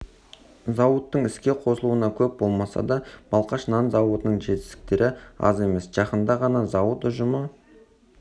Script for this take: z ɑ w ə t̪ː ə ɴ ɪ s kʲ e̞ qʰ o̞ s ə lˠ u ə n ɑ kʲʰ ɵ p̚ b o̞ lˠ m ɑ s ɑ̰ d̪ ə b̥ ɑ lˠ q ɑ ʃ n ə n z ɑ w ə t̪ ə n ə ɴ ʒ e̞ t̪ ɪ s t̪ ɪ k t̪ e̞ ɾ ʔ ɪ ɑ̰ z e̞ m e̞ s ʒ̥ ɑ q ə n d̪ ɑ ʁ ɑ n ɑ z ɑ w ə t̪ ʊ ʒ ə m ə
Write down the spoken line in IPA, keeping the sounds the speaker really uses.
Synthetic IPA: z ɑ w ə t̪ː ə ɴ ɪ s kʲ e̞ qʰ o̞ s ə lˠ u ə n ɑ kʲʰ ɵ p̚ b o̞ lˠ m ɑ s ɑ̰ d̪ ɑ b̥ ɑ lˠ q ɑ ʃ n ɑ n z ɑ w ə t̪ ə n ə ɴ ʒ e̞ t̪ ɪ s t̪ ɪ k t̪ e̞ ɾ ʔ ɪ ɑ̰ z e̞ m e̞ s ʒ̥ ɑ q ə n d̪ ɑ ʁ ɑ n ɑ z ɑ w ə t̪ ʊ ʒ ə m ə